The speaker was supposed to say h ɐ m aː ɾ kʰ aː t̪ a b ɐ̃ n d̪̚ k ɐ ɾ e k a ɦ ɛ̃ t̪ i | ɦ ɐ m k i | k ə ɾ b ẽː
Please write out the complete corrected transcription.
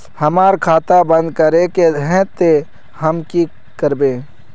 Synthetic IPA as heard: h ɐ m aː ɾ kʰ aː t̪ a b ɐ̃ n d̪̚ k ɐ ɾ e k e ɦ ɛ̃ t̪ e | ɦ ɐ m k i | k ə ɾ b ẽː